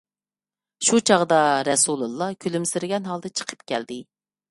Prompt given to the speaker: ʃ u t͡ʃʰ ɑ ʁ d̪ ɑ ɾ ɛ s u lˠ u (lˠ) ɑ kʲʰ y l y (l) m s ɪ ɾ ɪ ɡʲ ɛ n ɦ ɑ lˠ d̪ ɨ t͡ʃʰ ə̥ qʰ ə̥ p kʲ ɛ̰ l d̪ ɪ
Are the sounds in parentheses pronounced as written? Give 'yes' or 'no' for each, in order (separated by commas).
no, no